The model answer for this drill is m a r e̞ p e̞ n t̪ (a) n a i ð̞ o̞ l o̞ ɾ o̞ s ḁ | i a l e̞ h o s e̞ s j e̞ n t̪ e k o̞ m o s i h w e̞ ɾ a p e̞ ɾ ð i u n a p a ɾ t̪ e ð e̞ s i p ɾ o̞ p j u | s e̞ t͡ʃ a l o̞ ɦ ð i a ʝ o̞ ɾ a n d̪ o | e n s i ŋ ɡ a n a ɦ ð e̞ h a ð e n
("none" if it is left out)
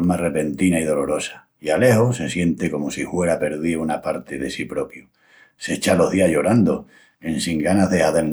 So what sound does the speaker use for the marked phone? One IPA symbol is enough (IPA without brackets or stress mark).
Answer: i